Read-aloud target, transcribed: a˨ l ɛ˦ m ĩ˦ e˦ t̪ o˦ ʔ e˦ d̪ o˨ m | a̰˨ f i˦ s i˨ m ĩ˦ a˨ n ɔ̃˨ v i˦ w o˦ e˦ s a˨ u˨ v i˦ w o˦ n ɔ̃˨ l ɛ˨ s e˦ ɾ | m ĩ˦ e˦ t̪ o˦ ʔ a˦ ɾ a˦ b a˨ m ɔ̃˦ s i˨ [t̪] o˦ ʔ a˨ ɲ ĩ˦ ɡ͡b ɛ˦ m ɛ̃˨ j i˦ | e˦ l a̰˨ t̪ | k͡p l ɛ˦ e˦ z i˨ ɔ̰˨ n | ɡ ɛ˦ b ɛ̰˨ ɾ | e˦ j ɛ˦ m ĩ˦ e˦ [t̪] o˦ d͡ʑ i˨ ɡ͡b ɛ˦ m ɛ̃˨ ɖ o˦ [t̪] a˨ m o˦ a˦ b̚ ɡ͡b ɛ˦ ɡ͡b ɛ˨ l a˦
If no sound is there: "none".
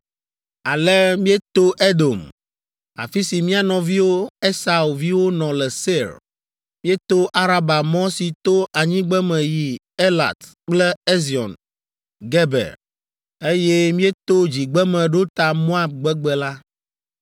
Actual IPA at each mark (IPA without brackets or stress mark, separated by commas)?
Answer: t̪, t̪, t̪